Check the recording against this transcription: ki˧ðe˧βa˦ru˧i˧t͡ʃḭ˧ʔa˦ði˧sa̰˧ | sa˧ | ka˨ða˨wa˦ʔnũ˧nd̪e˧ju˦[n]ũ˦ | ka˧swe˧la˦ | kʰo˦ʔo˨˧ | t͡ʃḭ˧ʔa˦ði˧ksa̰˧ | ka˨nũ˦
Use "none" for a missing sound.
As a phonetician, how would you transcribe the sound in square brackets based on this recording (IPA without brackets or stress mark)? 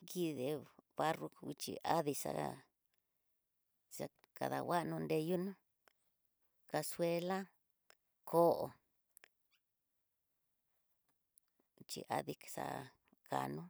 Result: n